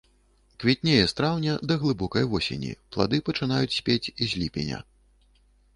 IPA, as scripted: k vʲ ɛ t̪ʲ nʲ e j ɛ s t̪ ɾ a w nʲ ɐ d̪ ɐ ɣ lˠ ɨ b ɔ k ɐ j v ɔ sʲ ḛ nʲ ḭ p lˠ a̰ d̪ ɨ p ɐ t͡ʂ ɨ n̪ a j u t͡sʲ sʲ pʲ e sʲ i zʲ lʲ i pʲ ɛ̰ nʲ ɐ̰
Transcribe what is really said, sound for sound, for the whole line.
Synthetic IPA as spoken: k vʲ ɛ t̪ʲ nʲ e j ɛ s t̪ ɾ a w nʲ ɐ d̪ ɐ ɣ lˠ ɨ b ɔ k ɐ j v ɔ sʲ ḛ nʲ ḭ p lˠ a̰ d̪ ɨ p ɐ t͡ʂ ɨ n̪ a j u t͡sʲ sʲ pʲ e t͡sʲ i zʲ lʲ i pʲ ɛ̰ nʲ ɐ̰